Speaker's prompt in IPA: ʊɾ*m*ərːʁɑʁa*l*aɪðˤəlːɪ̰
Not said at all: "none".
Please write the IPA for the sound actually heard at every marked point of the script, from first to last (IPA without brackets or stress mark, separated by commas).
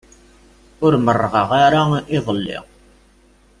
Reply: m, ɾ